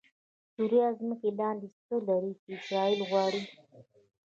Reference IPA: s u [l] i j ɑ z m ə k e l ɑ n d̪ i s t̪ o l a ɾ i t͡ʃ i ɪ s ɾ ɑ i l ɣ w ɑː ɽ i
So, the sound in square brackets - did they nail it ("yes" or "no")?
no